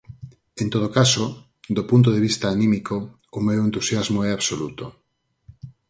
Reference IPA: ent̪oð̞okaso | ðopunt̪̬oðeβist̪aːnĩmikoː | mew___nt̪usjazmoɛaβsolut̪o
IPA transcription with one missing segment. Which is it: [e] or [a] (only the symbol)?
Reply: e